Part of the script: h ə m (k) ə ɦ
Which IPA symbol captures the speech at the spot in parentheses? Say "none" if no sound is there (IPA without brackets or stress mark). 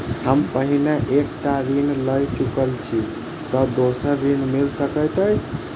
p